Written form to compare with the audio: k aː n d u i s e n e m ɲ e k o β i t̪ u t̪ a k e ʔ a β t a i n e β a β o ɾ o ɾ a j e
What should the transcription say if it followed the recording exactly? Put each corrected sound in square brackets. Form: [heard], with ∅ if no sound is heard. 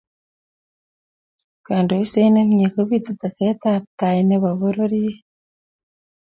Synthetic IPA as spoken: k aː n d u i s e n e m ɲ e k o β i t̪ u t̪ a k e [t] a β t a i n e β a β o ɾ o ɾ [i] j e